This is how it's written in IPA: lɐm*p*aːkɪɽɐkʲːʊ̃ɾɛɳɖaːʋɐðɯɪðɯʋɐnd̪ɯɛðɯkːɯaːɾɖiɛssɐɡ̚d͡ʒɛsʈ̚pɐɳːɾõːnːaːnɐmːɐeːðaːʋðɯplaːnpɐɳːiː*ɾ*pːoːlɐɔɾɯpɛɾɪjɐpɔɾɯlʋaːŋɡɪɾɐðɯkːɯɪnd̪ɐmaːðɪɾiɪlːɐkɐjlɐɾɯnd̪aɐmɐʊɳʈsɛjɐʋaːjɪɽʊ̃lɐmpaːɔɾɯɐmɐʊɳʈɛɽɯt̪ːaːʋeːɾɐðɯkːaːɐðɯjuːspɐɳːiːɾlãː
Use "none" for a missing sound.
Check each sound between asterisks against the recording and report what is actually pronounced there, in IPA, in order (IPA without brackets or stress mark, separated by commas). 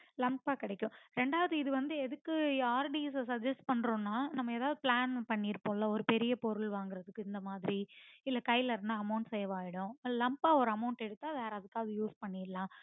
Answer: p, ɾ